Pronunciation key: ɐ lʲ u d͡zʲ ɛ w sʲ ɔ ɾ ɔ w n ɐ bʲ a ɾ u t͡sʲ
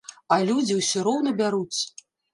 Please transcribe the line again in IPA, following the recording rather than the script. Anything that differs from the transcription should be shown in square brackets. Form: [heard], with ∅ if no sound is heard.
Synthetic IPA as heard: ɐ lʲ u d͡zʲ [i] w sʲ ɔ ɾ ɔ w n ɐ bʲ a ɾ u t͡sʲ